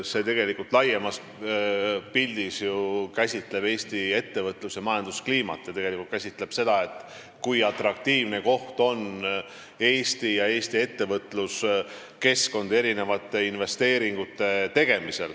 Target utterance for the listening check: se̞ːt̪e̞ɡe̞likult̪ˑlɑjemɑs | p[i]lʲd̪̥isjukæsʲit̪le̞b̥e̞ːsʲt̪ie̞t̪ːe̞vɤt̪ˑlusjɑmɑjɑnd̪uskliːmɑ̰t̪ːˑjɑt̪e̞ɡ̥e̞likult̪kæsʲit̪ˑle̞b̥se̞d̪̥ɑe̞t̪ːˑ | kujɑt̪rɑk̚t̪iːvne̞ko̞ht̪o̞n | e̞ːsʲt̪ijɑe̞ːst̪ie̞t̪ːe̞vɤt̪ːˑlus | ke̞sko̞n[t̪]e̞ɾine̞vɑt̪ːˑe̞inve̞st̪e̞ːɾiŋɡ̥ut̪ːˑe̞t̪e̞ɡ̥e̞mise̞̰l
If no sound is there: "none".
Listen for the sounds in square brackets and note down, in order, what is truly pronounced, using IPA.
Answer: i, d̪

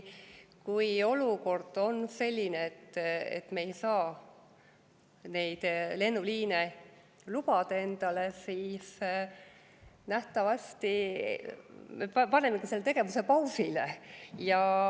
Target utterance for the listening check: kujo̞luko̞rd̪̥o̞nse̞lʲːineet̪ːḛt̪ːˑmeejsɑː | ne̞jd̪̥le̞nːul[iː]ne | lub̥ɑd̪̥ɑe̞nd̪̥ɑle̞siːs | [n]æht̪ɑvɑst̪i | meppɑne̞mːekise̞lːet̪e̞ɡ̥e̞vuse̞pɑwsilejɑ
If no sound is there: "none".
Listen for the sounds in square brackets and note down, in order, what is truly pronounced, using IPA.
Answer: iː, n

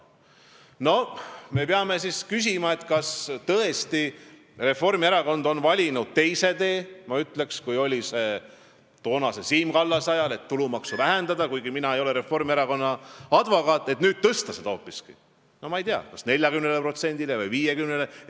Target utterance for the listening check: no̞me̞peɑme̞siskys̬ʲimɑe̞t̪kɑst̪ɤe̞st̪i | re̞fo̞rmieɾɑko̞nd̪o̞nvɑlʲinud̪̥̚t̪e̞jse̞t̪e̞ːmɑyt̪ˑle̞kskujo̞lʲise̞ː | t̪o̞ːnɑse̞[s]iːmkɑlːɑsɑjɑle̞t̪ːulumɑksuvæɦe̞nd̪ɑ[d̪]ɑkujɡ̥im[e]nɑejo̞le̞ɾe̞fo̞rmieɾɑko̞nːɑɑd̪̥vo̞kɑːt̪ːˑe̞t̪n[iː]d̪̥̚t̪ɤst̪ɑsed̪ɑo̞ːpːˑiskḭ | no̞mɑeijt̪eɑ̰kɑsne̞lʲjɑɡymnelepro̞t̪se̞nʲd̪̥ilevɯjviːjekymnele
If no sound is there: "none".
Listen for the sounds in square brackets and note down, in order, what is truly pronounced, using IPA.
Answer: s, d̪, i, yː

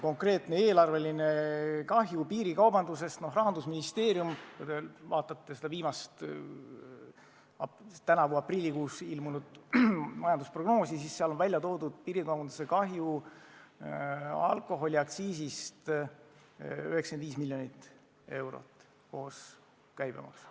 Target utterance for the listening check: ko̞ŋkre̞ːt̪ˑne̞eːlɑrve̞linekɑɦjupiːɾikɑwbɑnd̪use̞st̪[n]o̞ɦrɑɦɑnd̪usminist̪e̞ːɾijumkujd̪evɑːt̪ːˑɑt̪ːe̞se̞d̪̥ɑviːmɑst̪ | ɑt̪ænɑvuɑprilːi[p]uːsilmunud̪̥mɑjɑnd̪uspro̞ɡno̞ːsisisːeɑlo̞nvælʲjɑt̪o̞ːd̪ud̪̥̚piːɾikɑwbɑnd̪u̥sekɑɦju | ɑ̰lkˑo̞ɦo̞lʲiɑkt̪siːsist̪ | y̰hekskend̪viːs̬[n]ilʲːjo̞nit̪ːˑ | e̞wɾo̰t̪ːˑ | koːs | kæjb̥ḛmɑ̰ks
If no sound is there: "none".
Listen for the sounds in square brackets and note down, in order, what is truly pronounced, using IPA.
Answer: n, k, m

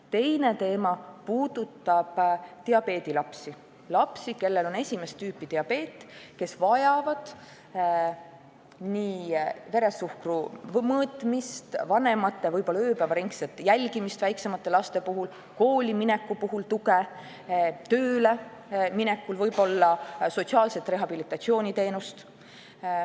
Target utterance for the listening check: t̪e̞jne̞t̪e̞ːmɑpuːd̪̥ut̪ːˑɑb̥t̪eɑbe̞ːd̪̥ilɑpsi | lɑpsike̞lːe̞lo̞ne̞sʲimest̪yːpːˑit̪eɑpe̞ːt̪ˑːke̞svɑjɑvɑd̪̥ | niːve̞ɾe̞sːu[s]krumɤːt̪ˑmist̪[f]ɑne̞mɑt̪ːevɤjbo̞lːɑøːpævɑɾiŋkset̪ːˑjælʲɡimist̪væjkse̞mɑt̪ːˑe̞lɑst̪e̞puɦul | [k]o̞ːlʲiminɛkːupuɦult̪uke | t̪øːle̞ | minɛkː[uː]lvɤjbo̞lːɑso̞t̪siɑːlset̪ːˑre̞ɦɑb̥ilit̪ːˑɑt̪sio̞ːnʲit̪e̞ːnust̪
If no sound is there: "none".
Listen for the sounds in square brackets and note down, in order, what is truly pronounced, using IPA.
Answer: h, v, k, u

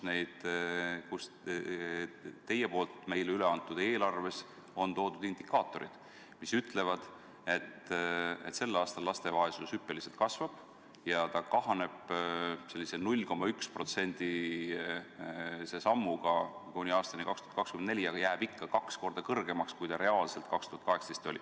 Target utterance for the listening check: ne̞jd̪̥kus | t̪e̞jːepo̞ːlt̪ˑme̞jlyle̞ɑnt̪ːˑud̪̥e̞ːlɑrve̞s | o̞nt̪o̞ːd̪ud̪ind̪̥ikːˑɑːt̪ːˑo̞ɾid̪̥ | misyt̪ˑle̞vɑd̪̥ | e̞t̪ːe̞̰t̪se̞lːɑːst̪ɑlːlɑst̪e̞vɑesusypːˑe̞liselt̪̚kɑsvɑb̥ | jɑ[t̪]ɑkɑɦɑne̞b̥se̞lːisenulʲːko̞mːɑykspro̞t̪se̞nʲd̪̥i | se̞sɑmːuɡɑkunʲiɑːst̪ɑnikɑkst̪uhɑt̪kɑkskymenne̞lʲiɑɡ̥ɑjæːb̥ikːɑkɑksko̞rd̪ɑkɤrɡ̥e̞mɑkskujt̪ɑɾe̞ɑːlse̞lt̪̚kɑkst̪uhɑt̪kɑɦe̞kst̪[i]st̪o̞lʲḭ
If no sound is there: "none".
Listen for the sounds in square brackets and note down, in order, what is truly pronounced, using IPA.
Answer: t̪, e

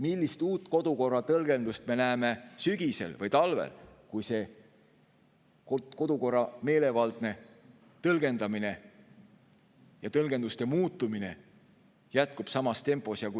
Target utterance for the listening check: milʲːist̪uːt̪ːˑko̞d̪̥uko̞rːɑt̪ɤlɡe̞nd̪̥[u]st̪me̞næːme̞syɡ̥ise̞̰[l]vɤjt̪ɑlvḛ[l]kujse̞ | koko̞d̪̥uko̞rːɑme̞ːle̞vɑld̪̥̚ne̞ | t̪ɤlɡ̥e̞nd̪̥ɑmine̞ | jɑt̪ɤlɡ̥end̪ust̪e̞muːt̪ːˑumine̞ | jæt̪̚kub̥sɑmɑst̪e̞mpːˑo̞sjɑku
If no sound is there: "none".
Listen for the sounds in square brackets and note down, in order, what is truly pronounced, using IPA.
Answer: u, l, l

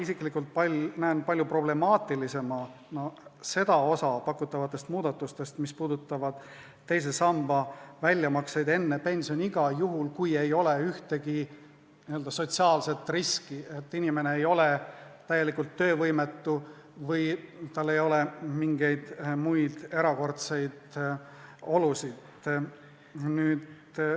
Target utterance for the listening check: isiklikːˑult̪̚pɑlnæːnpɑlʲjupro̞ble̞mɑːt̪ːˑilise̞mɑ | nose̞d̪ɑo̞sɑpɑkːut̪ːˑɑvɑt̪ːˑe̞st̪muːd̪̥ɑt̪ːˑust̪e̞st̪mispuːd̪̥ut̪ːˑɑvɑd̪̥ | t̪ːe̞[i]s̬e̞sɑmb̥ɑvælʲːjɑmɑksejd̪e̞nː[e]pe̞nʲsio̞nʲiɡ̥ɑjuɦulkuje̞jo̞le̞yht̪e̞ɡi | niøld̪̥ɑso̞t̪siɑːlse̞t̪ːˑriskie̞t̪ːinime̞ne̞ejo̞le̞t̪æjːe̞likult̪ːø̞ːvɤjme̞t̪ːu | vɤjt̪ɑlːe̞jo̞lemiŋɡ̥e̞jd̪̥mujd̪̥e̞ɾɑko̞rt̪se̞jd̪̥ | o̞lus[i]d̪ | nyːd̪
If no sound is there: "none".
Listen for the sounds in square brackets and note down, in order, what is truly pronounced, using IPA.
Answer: j, e, i

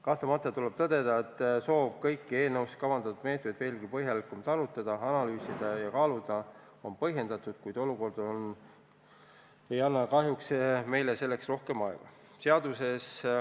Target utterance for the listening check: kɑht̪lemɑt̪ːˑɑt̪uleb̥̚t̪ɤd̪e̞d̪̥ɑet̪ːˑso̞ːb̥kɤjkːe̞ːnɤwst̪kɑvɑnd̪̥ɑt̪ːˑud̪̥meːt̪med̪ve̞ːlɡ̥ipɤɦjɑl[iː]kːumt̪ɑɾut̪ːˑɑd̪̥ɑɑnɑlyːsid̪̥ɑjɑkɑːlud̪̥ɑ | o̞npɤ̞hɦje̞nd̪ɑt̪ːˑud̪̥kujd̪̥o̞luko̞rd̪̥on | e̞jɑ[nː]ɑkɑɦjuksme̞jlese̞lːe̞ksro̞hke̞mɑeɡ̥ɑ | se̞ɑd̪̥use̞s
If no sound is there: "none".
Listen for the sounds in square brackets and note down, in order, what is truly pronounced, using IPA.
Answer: i, nː

